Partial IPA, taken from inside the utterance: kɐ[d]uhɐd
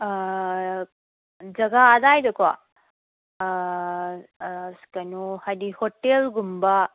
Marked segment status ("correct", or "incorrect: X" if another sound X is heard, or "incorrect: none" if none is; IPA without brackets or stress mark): incorrect: n